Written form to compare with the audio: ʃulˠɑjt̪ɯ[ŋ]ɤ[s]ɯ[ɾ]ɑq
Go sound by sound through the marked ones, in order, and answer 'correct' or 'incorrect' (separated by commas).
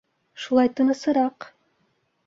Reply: incorrect, correct, correct